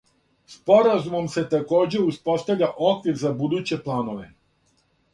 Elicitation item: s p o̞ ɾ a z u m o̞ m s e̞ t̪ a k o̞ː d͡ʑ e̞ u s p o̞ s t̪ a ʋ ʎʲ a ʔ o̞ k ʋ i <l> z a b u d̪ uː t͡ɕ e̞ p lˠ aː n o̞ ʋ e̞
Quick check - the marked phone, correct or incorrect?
incorrect